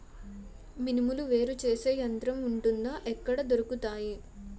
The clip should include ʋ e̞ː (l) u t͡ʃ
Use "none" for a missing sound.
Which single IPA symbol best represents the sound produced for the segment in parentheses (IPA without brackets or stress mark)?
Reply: ɾ